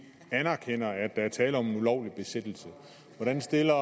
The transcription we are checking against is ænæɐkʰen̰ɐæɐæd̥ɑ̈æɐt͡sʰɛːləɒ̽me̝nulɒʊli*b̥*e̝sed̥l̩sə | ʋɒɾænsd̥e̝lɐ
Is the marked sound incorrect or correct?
correct